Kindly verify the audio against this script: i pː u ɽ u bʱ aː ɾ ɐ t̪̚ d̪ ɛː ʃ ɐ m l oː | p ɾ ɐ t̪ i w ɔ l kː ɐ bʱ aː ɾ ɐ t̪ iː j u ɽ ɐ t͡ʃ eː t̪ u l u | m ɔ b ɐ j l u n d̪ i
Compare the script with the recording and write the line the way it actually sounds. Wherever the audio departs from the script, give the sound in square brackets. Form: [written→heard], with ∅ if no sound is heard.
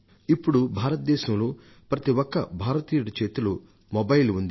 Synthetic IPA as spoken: i pː u ɽ u bʱ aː ɾ ɐ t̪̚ d̪ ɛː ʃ ɐ m l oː | p ɾ ɐ t̪ i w ɔ [l→∅] kː ɐ bʱ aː ɾ ɐ t̪ iː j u ɽ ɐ t͡ʃ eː t̪ u l u | m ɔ b ɐ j l u n d̪ i